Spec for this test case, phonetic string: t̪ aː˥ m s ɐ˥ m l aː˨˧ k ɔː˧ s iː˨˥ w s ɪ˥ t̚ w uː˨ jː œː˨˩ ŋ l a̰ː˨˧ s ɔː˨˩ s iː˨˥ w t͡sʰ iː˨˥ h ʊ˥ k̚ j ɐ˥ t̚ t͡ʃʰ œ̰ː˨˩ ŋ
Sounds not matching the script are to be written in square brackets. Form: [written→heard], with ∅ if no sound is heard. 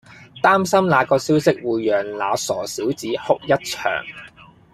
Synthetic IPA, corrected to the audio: t̪ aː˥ m s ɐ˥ m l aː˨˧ k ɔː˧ s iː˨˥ w s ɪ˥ [t̚→k̚] w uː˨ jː œː˨˩ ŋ l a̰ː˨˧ s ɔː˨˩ s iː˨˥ w [t͡sʰ→t͡s] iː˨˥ h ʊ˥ k̚ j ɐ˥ t̚ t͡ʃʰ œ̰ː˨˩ ŋ